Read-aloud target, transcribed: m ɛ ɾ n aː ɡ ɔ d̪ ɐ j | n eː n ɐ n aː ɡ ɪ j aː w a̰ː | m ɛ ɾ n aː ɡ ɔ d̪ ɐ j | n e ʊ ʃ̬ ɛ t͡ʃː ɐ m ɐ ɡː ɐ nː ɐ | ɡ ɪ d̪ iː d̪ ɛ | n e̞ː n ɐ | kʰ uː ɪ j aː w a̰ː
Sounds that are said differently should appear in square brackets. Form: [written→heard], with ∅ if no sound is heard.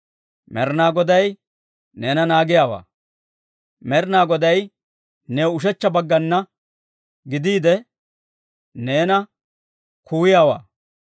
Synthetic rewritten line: m ɛ ɾ n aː ɡ ɔ d̪ ɐ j | n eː n ɐ n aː ɡ ɪ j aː w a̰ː | m ɛ ɾ n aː ɡ ɔ d̪ ɐ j | n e ʊ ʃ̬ ɛ t͡ʃː ɐ [m→b] ɐ ɡː ɐ nː ɐ | ɡ ɪ d̪ iː d̪ ɛ | n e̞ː n ɐ | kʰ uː ɪ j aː w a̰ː

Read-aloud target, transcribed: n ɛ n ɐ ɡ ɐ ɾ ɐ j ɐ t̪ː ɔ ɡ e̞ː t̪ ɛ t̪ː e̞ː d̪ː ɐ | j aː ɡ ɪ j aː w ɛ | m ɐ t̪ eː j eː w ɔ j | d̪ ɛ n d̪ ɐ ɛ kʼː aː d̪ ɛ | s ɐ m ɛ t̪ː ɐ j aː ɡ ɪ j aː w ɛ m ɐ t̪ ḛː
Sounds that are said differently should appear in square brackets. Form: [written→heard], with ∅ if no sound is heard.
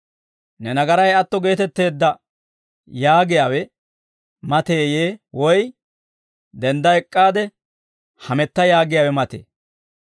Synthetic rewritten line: n ɛ n ɐ ɡ ɐ ɾ ɐ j ɐ t̪ː ɔ ɡ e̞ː t̪ ɛ t̪ː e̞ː d̪ː ɐ | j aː ɡ ɪ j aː w ɛ | m ɐ t̪ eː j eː w ɔ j | d̪ ɛ n d̪ ɐ ɛ kʼː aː d̪ ɛ | [s→h] ɐ m ɛ t̪ː ɐ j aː ɡ ɪ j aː w ɛ m ɐ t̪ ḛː

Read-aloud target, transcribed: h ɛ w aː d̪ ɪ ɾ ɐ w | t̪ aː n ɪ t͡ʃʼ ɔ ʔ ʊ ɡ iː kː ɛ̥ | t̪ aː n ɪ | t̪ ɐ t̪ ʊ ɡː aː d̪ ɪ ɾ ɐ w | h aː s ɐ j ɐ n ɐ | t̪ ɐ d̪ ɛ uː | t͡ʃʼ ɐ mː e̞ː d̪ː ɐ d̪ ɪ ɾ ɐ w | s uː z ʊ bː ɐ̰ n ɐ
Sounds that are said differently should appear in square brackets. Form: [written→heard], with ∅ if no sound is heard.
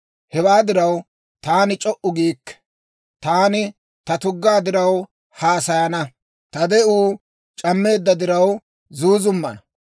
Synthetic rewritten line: h ɛ w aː d̪ ɪ ɾ ɐ w | t̪ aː n ɪ t͡ʃʼ ɔ ʔ ʊ ɡ iː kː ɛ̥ | t̪ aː n ɪ | t̪ ɐ t̪ ʊ ɡː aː d̪ ɪ ɾ ɐ w | h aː s ɐ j ɐ n ɐ | t̪ ɐ d̪ ɛ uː | t͡ʃʼ ɐ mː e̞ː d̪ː ɐ d̪ ɪ ɾ ɐ w | [s→z] uː z ʊ [bː→mː] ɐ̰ n ɐ

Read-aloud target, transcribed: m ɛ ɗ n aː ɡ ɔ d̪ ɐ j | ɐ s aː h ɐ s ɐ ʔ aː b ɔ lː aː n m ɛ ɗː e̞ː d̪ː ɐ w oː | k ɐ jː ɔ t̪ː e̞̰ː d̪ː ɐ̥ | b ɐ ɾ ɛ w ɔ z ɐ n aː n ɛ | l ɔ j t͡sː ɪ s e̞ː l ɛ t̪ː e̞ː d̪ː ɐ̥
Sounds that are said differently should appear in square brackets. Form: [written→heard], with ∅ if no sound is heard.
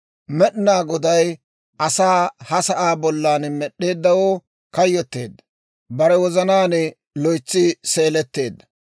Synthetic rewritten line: m ɛ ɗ n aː ɡ ɔ d̪ ɐ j | ɐ s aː h ɐ s ɐ ʔ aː b ɔ lː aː n m ɛ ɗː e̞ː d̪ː ɐ w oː | k ɐ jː ɔ t̪ː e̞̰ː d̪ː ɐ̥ | b ɐ ɾ ɛ w ɔ z ɐ n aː n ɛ | l ɔ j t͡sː ɪ s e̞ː l ɛ t̪ː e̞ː d̪ː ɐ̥

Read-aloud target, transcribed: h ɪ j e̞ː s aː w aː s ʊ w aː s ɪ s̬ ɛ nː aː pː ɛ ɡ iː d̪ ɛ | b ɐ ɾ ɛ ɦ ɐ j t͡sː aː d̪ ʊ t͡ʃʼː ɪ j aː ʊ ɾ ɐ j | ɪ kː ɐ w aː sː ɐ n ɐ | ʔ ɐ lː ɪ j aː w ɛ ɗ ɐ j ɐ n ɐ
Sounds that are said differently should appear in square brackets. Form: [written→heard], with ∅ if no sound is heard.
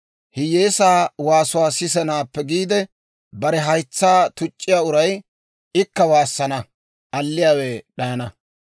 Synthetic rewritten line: h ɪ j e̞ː s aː w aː s ʊ w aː s ɪ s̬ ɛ [nː→n] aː pː ɛ ɡ iː d̪ ɛ | b ɐ ɾ ɛ ɦ ɐ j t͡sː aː [d̪→t̪] ʊ t͡ʃʼː ɪ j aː ʊ ɾ ɐ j | ɪ kː ɐ w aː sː ɐ n ɐ | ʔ ɐ lː ɪ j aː w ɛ ɗ ɐ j ɐ n ɐ

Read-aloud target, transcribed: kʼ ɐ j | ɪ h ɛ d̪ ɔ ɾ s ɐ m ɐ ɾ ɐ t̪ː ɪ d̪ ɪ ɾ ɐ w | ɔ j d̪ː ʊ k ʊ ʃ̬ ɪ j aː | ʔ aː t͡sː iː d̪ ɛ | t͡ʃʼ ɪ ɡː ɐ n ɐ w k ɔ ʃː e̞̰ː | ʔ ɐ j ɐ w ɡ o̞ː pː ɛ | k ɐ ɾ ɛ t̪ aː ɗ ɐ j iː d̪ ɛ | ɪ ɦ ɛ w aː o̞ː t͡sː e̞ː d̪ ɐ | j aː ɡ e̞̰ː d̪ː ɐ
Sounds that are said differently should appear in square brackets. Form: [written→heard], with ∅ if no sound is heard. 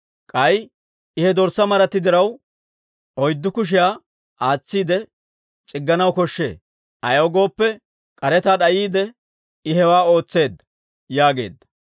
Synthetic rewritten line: kʼ ɐ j | ɪ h ɛ d̪ ɔ ɾ s ɐ m ɐ ɾ ɐ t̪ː ɪ d̪ ɪ ɾ ɐ w | ɔ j d̪ː ʊ k ʊ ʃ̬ ɪ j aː | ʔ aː t͡sː iː d̪ ɛ | t͡ʃʼ ɪ ɡː ɐ n ɐ w k ɔ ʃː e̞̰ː | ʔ ɐ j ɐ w ɡ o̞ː pː ɛ | [k→kʼ] ɐ ɾ ɛ t̪ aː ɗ ɐ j iː d̪ ɛ | ɪ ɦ ɛ w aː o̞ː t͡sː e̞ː d̪ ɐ | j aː ɡ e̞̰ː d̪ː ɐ

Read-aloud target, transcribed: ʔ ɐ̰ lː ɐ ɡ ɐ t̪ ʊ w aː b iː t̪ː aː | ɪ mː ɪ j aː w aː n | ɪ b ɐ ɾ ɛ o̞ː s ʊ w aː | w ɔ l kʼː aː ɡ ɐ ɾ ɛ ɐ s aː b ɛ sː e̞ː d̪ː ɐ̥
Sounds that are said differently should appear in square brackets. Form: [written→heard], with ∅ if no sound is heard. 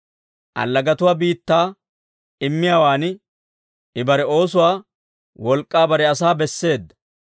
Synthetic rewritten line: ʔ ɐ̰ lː ɐ ɡ ɐ t̪ ʊ w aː b iː t̪ː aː | ɪ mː ɪ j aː w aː n | ɪ b ɐ ɾ ɛ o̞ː s ʊ w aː | w ɔ l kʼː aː [ɡ→b] ɐ ɾ ɛ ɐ s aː b ɛ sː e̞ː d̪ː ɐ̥

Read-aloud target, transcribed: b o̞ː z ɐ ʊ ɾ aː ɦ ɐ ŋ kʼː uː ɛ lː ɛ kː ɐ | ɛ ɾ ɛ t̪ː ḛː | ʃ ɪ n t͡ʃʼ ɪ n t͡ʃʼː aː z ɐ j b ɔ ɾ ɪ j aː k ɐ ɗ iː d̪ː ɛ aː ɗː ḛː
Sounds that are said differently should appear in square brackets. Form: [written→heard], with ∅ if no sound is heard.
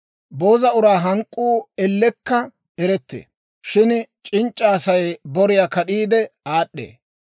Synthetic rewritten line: b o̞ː z ɐ ʊ ɾ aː ɦ ɐ ŋ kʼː uː ɛ lː ɛ kː ɐ | ɛ ɾ ɛ t̪ː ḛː | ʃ ɪ n t͡ʃʼ ɪ n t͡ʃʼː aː [z→s] ɐ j b ɔ ɾ ɪ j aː k ɐ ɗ iː [d̪ː→d̪] ɛ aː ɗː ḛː

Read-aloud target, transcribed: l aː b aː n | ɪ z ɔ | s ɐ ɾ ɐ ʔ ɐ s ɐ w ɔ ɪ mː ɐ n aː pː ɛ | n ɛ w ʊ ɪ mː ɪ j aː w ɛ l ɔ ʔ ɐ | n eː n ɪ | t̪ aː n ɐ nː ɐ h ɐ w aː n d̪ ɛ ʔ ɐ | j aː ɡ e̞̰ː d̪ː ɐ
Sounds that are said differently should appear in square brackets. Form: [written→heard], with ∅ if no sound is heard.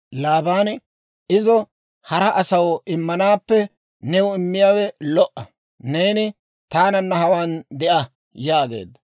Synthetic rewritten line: l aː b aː n | ɪ z ɔ | [s→h] ɐ ɾ ɐ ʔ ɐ s ɐ w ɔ ɪ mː ɐ n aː pː ɛ | n ɛ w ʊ ɪ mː ɪ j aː w ɛ l ɔ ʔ ɐ | n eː n ɪ | t̪ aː n ɐ nː ɐ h ɐ w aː n d̪ ɛ ʔ ɐ | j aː ɡ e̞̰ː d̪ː ɐ

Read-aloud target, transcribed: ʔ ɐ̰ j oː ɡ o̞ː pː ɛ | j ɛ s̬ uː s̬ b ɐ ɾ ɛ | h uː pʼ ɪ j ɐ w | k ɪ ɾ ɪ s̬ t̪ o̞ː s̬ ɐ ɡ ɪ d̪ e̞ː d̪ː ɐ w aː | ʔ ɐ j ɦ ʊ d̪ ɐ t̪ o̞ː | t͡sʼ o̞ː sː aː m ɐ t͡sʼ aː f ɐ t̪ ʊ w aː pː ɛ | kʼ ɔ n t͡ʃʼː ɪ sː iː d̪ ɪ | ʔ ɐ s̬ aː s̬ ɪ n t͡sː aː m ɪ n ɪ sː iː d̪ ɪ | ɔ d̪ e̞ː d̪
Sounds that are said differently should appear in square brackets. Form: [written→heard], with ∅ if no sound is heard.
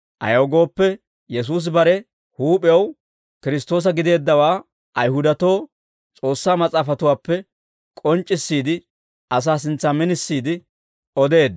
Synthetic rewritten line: ʔ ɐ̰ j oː ɡ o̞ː pː ɛ | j ɛ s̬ uː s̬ b ɐ ɾ ɛ | h uː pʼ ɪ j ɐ w | k ɪ ɾ ɪ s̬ t̪ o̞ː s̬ ɐ ɡ ɪ d̪ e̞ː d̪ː ɐ w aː | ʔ ɐ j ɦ ʊ d̪ ɐ t̪ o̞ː | t͡sʼ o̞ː sː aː m ɐ t͡sʼ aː f ɐ t̪ ʊ w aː pː ɛ | kʼ ɔ n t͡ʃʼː ɪ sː iː d̪ ɪ | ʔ ɐ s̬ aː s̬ ɪ n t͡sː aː m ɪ n ɪ sː iː d̪ ɪ | ɔ d̪ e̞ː d̪

